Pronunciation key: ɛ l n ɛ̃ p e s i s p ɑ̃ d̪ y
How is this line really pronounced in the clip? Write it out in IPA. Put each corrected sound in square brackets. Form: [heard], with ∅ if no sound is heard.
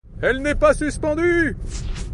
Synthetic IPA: ɛ l n [ɛ] p [a] s [y] s p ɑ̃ d̪ y